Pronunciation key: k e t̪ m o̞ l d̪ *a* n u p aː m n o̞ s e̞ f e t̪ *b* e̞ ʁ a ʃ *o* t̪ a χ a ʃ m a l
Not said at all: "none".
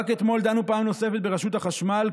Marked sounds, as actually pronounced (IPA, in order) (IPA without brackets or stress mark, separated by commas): a, b, u